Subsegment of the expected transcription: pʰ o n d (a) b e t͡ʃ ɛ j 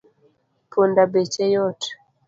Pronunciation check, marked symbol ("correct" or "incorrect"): correct